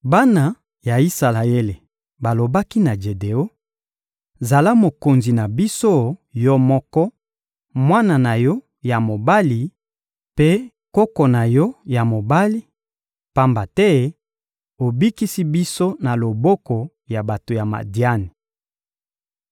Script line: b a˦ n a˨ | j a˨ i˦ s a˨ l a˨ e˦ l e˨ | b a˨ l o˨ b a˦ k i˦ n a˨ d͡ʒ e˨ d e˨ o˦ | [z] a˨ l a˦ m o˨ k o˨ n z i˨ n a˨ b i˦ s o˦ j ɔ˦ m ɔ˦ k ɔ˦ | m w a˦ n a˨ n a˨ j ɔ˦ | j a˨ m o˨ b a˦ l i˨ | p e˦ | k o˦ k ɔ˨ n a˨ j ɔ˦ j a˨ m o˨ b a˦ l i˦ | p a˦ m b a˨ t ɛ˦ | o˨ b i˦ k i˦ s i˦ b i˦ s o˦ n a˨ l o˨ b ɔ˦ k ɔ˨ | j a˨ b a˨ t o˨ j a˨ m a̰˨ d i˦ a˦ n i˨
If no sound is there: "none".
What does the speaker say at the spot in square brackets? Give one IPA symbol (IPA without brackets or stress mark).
z